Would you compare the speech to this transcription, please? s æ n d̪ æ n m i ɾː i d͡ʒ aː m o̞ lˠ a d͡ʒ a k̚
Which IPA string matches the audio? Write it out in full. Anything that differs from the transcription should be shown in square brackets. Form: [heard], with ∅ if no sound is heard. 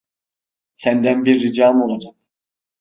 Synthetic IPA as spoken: s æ n d̪ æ n [b] i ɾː i d͡ʒ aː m o̞ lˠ a d͡ʒ a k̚